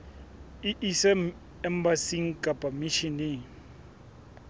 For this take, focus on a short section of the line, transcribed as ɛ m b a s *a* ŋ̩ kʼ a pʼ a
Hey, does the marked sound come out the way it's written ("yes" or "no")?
no